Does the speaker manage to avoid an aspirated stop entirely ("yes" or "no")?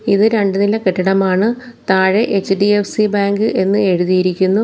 yes